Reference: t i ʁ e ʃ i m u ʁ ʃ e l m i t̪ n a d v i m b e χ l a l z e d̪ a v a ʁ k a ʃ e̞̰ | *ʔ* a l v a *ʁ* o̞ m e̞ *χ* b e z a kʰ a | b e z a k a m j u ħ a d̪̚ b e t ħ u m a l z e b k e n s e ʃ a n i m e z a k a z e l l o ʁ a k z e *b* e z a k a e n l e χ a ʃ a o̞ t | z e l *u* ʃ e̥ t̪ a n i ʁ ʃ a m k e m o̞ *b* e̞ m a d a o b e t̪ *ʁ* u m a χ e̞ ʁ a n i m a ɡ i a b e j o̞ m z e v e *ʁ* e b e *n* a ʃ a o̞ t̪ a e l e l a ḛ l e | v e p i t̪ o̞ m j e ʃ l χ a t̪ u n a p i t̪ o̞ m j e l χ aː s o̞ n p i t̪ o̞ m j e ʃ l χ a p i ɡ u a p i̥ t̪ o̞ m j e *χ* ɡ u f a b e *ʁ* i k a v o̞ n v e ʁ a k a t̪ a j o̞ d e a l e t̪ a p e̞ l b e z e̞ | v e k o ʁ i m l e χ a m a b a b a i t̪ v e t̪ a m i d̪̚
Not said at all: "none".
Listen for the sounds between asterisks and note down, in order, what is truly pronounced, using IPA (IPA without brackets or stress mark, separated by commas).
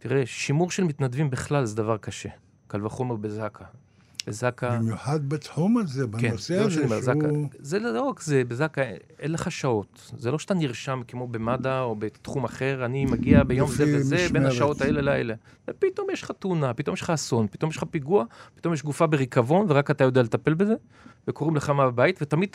k, χ, ʁ, b, o, b, χ, z, n, ʃ, ʁ